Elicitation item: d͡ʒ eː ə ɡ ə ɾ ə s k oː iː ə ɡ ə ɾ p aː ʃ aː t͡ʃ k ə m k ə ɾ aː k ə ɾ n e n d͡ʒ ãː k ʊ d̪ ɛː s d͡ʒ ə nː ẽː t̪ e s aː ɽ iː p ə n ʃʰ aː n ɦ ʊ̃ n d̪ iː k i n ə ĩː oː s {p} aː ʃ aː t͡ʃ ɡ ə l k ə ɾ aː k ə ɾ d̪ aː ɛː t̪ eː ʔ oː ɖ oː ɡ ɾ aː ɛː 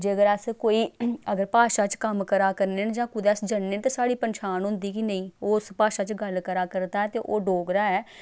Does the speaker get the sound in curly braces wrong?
no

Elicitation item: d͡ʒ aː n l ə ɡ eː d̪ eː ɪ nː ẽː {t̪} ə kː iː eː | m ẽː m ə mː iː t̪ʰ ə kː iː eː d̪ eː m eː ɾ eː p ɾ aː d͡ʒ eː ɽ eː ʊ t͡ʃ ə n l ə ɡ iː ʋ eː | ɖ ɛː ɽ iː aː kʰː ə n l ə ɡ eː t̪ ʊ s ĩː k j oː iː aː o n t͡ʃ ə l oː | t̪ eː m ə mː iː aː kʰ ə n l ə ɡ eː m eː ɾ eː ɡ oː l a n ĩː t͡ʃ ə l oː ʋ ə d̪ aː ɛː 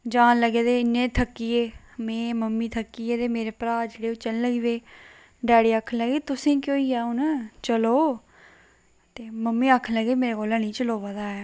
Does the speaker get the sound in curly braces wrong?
yes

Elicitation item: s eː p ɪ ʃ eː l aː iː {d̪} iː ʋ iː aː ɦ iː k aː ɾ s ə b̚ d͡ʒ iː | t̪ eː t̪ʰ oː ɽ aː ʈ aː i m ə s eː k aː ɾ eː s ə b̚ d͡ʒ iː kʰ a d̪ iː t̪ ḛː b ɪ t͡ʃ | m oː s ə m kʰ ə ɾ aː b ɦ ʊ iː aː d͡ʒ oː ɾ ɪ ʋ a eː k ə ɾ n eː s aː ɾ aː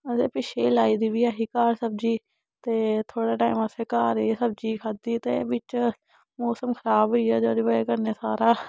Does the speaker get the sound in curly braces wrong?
no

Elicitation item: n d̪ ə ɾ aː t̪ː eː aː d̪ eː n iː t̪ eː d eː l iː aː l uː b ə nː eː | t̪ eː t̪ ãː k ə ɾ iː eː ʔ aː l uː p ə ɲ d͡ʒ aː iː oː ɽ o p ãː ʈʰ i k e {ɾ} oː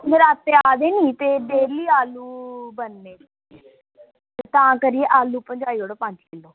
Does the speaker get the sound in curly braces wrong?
yes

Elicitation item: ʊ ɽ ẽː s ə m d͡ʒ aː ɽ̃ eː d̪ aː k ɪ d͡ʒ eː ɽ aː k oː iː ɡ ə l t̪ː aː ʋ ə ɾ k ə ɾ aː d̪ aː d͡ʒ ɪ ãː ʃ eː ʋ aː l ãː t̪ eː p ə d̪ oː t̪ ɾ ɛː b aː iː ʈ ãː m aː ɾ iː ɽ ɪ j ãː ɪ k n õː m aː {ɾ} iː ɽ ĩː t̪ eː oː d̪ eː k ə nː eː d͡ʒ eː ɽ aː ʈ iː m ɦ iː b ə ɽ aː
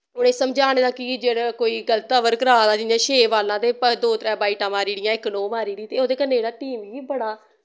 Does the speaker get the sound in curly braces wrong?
no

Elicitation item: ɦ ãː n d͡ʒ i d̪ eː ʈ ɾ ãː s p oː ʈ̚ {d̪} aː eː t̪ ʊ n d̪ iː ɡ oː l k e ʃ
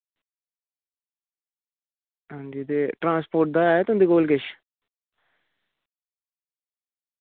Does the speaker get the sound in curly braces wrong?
no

